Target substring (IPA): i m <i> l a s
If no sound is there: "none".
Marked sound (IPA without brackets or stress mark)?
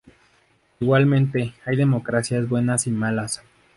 a